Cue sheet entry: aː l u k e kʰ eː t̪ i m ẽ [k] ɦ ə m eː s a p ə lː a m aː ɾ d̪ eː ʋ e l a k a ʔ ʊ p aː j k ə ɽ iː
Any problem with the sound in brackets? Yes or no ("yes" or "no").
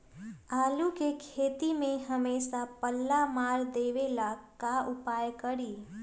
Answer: yes